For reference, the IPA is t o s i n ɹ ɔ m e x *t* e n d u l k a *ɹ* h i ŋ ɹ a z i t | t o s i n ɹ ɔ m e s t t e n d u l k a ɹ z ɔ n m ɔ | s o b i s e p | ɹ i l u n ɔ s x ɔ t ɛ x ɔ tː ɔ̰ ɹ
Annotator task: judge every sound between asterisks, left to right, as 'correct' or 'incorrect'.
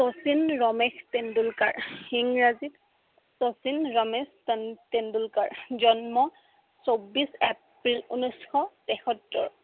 correct, correct

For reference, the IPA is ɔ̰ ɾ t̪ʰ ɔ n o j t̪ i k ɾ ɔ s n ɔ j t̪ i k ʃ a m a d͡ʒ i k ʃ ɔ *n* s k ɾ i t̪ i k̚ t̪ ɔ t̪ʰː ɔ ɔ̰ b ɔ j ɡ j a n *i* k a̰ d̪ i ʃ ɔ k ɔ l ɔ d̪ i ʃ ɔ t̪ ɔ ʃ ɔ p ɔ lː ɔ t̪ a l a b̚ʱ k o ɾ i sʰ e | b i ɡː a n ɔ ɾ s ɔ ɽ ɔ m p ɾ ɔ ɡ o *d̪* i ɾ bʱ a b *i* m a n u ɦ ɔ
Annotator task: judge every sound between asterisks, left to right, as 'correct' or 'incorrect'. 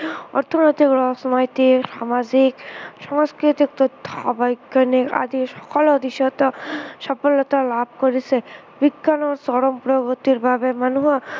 incorrect: ŋ, correct, incorrect: t̪, incorrect: e

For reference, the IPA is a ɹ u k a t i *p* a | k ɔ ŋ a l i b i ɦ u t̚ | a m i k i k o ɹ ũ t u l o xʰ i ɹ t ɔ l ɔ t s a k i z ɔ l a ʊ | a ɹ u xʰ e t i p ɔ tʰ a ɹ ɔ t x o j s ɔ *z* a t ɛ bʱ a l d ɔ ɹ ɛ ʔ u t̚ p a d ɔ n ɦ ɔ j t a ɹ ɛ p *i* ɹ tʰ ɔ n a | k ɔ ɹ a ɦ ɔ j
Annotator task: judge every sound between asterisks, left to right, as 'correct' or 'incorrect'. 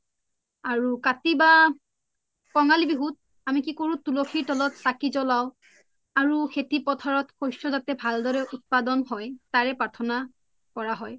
incorrect: b, correct, incorrect: a

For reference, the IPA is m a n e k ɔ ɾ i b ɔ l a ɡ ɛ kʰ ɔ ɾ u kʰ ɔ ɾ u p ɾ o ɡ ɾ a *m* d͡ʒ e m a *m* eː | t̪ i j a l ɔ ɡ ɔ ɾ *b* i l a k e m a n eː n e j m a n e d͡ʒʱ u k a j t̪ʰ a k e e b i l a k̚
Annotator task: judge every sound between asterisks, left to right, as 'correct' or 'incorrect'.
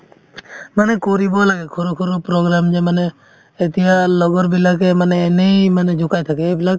correct, incorrect: n, correct

